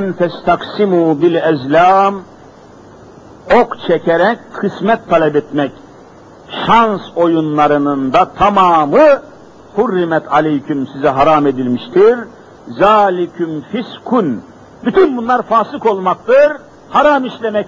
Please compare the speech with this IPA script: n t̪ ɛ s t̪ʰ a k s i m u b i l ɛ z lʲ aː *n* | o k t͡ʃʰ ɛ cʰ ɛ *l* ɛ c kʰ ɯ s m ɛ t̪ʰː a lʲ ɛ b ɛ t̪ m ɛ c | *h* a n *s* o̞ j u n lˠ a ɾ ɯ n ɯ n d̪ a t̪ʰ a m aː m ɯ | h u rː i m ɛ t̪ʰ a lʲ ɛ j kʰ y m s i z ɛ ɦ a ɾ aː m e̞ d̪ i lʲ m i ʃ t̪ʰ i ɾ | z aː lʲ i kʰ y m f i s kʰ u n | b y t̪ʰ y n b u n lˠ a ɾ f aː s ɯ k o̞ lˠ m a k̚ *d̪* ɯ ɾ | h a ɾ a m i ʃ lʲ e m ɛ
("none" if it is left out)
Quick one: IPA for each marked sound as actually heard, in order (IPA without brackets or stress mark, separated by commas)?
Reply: m, ɾ, ʃ, s, t̪